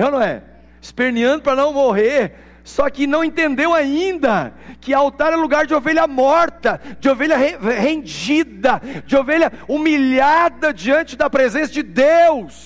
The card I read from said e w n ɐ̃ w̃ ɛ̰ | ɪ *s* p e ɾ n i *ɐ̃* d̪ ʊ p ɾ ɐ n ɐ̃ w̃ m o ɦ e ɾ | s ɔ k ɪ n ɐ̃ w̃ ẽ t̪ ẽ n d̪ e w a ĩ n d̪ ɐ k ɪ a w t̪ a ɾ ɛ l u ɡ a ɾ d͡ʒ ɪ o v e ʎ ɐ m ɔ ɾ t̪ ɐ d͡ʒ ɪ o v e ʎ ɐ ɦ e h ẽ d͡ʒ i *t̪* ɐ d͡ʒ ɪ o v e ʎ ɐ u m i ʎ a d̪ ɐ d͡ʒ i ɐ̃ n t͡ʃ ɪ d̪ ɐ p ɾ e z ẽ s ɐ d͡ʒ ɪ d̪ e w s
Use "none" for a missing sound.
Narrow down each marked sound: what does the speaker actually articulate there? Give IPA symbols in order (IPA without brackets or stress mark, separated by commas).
s, ɐ̃, d̪